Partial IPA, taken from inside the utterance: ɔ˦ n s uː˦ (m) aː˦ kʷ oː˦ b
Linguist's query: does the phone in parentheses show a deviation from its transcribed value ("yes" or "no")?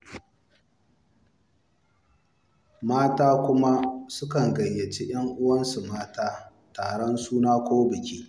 yes